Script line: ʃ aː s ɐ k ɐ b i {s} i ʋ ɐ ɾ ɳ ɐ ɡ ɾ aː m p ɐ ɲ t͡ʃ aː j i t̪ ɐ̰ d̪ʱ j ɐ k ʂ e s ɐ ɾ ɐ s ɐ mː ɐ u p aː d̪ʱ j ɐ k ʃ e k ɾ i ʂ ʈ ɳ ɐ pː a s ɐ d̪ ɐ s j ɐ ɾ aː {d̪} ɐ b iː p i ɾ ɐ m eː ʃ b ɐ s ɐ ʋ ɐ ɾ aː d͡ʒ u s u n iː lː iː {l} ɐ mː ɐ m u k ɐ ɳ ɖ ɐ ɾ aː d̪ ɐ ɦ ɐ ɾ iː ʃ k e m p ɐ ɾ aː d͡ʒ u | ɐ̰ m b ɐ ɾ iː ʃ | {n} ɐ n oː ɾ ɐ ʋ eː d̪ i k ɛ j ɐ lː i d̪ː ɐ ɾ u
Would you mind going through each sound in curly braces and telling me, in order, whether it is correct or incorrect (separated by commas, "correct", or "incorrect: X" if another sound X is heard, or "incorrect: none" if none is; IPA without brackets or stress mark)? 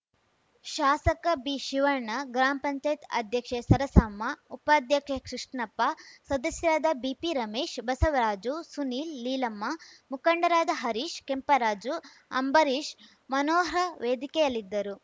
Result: incorrect: ʃ, correct, correct, incorrect: m